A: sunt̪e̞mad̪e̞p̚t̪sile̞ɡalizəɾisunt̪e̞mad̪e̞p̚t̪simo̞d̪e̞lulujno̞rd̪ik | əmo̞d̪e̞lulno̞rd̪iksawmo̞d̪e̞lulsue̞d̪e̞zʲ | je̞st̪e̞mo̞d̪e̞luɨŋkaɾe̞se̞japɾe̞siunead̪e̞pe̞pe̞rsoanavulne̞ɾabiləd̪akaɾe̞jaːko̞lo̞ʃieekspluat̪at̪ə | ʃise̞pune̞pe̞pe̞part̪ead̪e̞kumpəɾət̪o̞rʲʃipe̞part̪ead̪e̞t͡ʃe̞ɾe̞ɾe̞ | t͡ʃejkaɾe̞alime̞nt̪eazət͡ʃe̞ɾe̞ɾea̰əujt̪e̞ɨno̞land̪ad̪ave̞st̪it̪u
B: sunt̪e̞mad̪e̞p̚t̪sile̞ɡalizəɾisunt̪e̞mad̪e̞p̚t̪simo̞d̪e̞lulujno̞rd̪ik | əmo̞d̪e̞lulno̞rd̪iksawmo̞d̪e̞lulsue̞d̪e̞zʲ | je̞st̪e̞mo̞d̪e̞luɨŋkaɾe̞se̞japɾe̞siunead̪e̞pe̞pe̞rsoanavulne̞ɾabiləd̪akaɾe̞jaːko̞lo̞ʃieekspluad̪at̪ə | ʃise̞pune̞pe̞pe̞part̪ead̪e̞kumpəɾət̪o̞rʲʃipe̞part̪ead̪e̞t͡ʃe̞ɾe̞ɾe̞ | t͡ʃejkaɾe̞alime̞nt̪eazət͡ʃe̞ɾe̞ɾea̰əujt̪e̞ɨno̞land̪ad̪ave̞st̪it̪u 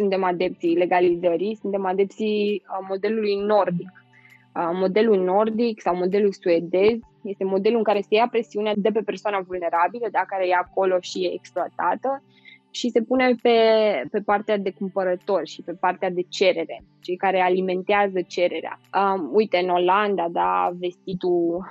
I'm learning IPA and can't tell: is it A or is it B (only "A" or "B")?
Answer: A